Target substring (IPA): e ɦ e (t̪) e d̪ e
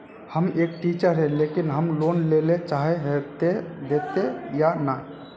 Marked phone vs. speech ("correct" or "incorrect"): correct